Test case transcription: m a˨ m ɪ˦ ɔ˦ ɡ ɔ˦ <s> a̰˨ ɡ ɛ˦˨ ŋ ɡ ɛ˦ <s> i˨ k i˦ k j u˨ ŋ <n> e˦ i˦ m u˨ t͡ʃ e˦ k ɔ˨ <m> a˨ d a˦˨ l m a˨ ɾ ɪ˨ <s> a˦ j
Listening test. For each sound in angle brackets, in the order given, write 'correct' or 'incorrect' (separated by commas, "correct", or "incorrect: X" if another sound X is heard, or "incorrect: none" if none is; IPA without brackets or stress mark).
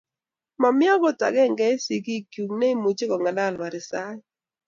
incorrect: t, correct, correct, incorrect: ŋ, correct